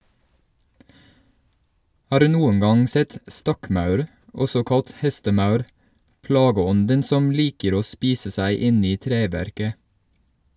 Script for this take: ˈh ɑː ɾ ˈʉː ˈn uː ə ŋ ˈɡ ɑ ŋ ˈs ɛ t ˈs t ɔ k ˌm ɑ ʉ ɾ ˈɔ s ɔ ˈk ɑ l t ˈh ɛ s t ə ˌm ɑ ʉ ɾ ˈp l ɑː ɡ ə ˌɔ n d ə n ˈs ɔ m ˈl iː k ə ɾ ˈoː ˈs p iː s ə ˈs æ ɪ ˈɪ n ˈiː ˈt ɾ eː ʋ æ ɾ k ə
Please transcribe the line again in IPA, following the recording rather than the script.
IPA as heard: ˈh ɑː ɾ ˈʉː ˈn uː ə ŋ ˈɡ ɑ ŋ ˈs ɛ t ˈs t ɔ k ˌm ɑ ʉ ɾ ˈɔ s ɔ ˈk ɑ l t ˈh ɛ s t ə ˌm ɑ ʉ ɾ ˈp l ɑː ɡ ə ˌɔ n d ə n ˈs ɔ m ˈl iː k ə ɾ ˈoː ˈs p iː s ə ˈs æ ɪ ˈɪ n ˈiː ˈt ɾ eː ʋ æ ɾ k ə

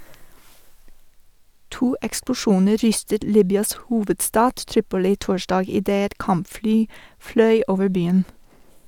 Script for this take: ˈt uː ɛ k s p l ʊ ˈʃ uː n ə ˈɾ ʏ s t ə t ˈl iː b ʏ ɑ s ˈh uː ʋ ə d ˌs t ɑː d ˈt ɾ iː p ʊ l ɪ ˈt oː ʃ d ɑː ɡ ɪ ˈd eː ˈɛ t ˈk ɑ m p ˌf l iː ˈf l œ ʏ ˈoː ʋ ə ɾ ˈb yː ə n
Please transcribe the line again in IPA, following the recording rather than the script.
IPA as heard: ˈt uː ɛ k s p l ʊ ˈʃ uː n ə ˈɾ ʏ s t ə t ˈl iː b ʏ ɑ s ˈh uː ʋ ə d ˌs t ɑː d ˈt ɾ iː p ʊ l ɪ ˈt oː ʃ d ɑː ɡ ɪ ˈd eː ˈɛ t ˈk ɑ m p ˌf l yː ˈf l œ ʏ ˈoː ʋ ə ɾ ˈb yː ə n

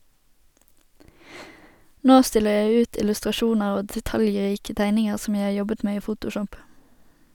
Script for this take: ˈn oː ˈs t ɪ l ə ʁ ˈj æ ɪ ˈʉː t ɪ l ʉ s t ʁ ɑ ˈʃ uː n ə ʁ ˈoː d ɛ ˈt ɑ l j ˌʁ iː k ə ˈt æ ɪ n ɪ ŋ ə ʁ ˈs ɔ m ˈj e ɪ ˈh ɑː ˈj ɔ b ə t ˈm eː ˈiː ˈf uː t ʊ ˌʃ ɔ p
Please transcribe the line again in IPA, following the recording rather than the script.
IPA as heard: ˈn oː ˈs t ɪ l ə ʁ ˈj æ ɪ ˈʉː t ɪ l ʉ s t ʁ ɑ ˈʃ uː n ə ʁ ˈoː d ɛ ˈt ɑ l j ˌʁ iː k ə ˈt æ ɪ n ɪ ŋ ə ʁ ˈs ɔ m ˈj æ ɪ ˈh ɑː ˈj ɔ b ə t ˈm eː ˈiː ˈf uː t ʊ ˌʃ ɔ p

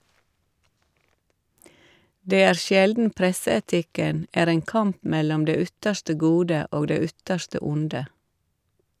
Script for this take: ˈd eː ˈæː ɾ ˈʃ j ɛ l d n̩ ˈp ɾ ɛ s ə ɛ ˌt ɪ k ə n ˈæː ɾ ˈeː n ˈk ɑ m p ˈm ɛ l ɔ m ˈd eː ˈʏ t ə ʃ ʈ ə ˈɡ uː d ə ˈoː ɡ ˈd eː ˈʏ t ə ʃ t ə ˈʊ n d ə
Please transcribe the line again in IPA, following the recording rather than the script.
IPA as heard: ˈd eː ˈæː ɾ ˈʃ j ɛ l d n̩ ˈp ɾ ɛ s ə ɛ ˌt ɪ k ə n ˈæː ɾ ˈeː ŋ ˈk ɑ m p ˈm ɛ l ɔ m ˈd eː ˈʏ t ə ʃ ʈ ə ˈɡ uː d ə ˈoː ɡ ˈd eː ˈʏ t ə ʃ t ə ˈʊ n d ə

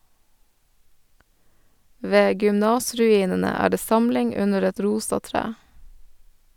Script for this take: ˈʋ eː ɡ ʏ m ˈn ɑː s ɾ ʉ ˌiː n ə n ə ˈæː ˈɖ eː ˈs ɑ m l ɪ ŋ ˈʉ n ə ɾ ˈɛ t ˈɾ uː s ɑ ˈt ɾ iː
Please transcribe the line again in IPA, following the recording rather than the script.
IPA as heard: ˈʋ eː ɡ ʏ m ˈn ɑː s ɾ ʉ ˌiː n ə n ə ˈæː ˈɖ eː ˈs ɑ m l ɪ ŋ ˈʉ n ə ɾ ˈɛ t ˈɾ uː s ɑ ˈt ɾ æː

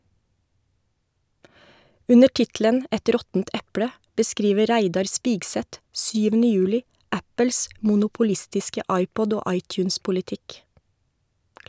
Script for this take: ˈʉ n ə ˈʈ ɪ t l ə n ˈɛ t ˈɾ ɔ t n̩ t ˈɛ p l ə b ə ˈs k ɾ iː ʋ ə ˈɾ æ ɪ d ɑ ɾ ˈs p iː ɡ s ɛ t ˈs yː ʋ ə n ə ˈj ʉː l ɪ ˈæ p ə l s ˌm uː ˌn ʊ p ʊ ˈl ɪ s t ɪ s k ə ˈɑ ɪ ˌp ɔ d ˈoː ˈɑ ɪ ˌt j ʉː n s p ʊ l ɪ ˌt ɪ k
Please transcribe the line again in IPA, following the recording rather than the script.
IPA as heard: ˈʉ n ə ˈʈ ɪ t l ə n ˈɛ t ˈɾ ɔ t n̩ t ˈɛ p ɽ ə b ə ˈs k ɾ iː ʋ ə ˈɾ æ ɪ d ɑ ɾ ˈs p iː ɡ s ɛ t ˈs yː ʋ ə n ə ˈj ʉː l ɪ ˈæ p ə l s ˌm uː ˌn ʊ p ʊ ˈl ɪ s t ɪ s k ə ˈɑ ɪ ˌp ɔ d ˈoː ˈɑ ɪ ˌt j ʉː n s p ʊ l ɪ ˌt ɪ k

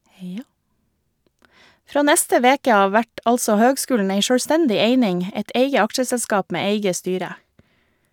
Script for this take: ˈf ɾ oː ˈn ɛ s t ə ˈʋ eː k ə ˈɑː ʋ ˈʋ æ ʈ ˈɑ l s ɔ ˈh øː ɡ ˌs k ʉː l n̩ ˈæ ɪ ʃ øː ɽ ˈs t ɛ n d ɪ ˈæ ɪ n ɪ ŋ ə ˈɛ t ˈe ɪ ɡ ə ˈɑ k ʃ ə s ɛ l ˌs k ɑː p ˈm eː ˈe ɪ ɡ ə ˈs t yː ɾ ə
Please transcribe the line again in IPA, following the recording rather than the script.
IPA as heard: ˈf ɾ oː ˈn ɛ s t ə ˈʋ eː k ə ˈɑː ʋ ˈʋ æ ʈ ˈɑ l s ɔ ˈh øː ɡ ˌs k ʉː l n̩ ˈæ ɪ ʃ øː ɽ ˈs t ɛ n d ɪ ˈe ɪ n ɪ ŋ ə ˈɛ t ˈe ɪ ɡ ə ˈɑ k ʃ ə s ɛ l ˌs k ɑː p ˈm eː ˈe ɪ ɡ ə ˈs t yː ɾ ə

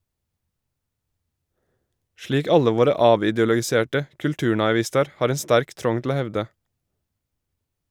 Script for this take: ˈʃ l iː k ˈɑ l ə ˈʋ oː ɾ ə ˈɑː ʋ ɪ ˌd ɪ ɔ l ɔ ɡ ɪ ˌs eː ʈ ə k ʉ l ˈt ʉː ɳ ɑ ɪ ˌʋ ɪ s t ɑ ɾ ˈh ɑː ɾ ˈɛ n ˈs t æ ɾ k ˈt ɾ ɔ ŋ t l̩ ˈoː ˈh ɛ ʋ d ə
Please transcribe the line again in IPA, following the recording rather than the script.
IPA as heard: ˈʃ l iː k ˈɑ l ə ˈʋ oː ɾ ə ˈɑː ʋ ɪ ˌd ɪ ɔ l ɔ ɡ ɪ ˌs eː ʈ ə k ʉ l ˈt ʉː ɳ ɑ ɪ ˌʋ ɪ s t ɑ ɾ ˈh ɑː ɾ ˈɛ n ˈs t æ ɾ k ˈt ɾ ɔ ŋ t l̩ ˈoː ˈh ɛ ʋ d ə

